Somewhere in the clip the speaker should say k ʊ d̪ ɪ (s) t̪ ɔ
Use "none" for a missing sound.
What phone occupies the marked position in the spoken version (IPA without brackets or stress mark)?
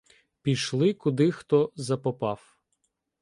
x